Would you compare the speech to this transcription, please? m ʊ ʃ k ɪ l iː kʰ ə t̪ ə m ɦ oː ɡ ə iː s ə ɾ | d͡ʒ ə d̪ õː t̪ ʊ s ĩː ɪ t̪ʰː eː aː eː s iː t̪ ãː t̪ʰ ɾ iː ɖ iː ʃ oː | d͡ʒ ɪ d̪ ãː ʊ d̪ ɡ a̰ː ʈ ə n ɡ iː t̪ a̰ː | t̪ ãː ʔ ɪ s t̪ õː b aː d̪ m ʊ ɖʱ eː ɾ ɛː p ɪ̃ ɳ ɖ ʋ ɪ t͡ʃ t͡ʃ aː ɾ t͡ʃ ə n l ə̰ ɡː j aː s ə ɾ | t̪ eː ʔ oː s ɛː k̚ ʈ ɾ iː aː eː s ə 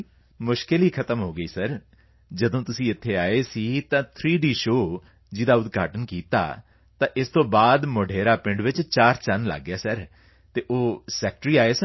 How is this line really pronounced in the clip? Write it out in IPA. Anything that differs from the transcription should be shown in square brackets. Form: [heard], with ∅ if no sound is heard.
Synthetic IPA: m ʊ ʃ k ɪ l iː kʰ ə t̪ ə m ɦ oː ɡ ə iː s ə ɾ | d͡ʒ ə d̪ õː t̪ ʊ s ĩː ɪ t̪ʰː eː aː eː s iː t̪ ãː t̪ʰ ɾ iː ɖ iː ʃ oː | d͡ʒ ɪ d̪ [aː] ʊ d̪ ɡ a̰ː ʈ ə n [k] iː t̪ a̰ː | t̪ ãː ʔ ɪ s t̪ õː b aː d̪ m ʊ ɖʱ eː ɾ [aː] p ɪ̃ ɳ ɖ ʋ ɪ t͡ʃ t͡ʃ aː ɾ t͡ʃ ə n l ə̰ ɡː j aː s ə ɾ | t̪ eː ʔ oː s ɛː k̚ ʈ ɾ iː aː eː s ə

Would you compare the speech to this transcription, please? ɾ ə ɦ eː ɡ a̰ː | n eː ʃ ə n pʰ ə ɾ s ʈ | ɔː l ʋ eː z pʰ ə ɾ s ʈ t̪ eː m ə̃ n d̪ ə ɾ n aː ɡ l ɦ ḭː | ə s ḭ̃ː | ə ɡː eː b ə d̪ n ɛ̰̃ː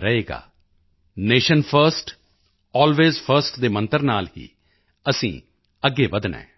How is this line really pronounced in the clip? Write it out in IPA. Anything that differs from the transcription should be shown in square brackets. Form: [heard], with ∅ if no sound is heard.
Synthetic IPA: ɾ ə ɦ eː ɡ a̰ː | n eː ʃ ə n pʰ ə ɾ s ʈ | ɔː l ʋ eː z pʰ ə ɾ s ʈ [d̪] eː m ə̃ n [t̪] ə ɾ n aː [∅] l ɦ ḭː | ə s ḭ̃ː | ə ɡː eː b ə d̪ n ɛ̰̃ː

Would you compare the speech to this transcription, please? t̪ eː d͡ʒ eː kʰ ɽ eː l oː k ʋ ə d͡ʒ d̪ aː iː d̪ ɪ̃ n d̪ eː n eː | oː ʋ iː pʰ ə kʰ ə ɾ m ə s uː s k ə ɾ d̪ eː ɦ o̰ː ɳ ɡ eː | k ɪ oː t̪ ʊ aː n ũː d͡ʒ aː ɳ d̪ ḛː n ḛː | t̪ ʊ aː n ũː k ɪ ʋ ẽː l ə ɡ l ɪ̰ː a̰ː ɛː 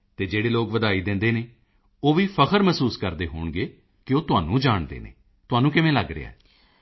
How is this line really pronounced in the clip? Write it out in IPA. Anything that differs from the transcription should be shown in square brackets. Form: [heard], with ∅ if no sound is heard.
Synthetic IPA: t̪ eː d͡ʒ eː [∅] ɽ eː l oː k ʋ ə [∅] d̪ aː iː d̪ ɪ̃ n d̪ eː n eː | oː ʋ iː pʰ ə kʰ ə ɾ m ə s uː s k ə ɾ d̪ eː ɦ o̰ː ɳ ɡ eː | k ɪ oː t̪ ʊ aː n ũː d͡ʒ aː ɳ d̪ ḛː n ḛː | t̪ ʊ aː n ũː k ɪ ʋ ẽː l ə ɡ [ɾ] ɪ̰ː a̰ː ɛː

